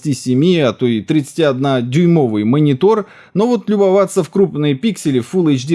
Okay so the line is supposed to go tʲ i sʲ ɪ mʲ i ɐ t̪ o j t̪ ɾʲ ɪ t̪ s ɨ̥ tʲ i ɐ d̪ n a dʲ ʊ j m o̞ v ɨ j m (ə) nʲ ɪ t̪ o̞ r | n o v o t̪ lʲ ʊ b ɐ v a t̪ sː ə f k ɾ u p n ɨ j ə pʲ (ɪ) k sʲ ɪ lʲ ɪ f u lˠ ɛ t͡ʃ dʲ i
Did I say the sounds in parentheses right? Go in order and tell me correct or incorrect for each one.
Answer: correct, incorrect

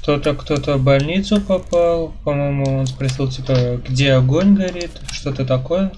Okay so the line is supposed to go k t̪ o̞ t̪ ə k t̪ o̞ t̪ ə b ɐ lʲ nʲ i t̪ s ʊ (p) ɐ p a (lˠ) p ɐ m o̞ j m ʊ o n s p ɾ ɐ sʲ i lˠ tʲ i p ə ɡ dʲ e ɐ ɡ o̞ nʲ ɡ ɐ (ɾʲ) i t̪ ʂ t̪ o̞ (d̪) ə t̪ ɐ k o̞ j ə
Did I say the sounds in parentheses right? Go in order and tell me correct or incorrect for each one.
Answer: correct, correct, correct, incorrect

